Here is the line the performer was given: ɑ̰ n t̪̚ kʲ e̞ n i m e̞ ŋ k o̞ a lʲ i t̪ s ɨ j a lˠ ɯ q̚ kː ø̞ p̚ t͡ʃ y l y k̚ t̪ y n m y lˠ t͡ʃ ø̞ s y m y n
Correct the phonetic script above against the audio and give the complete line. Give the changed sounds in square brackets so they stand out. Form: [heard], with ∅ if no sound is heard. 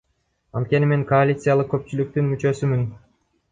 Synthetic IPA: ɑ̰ n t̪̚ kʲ e̞ n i m e̞ ŋ k o̞ a lʲ i t̪ s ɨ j a lˠ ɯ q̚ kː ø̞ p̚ t͡ʃ y l y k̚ t̪ y n m y [∅] t͡ʃ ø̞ s y m y n